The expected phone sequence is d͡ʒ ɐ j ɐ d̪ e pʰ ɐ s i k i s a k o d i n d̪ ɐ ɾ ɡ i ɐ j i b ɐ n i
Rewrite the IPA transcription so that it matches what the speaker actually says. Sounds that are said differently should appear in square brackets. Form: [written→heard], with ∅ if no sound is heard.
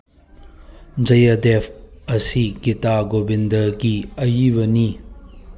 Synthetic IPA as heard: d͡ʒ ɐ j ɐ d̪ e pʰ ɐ s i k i [s→t] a [k→ɡ] o [d→b] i n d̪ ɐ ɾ ɡ i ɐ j i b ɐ n i